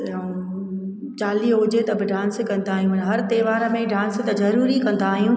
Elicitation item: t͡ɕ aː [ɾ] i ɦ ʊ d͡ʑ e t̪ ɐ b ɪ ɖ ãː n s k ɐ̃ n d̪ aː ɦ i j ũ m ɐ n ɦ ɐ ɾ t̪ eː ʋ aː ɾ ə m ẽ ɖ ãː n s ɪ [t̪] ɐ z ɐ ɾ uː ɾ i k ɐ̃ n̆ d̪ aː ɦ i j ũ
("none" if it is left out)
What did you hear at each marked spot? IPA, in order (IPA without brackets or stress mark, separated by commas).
l, t̪